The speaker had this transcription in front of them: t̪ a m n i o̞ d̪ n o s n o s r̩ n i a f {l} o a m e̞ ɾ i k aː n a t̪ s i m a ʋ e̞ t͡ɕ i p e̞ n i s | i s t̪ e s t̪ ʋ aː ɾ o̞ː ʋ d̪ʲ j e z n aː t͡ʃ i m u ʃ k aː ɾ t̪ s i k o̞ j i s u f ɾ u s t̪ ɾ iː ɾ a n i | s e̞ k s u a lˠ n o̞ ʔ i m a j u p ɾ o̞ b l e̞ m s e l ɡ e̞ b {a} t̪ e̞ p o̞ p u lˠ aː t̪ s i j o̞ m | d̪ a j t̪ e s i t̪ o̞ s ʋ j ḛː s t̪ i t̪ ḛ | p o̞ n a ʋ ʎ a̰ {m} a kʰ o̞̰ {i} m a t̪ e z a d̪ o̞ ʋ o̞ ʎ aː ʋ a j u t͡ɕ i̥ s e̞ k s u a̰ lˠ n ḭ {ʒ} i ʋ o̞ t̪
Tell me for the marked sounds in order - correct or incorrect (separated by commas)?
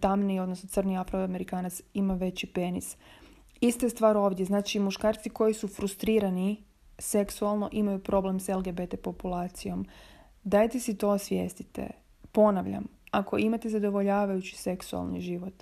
incorrect, incorrect, correct, correct, correct